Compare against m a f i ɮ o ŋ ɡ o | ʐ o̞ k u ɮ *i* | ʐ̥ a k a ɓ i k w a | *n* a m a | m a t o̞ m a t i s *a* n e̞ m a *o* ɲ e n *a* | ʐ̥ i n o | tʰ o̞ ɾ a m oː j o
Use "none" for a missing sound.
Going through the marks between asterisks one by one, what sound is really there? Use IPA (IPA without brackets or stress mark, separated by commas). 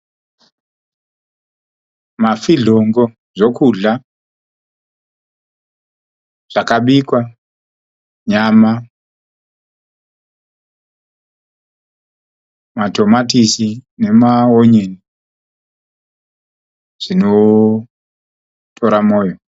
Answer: a, ɲ, i, o, i